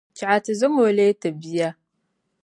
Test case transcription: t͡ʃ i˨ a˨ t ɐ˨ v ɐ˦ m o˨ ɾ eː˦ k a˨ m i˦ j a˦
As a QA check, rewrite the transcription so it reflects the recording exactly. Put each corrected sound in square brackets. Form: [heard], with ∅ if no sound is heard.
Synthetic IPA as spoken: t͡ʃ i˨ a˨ t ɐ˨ [z] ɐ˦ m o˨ [l] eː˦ [t] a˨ [b] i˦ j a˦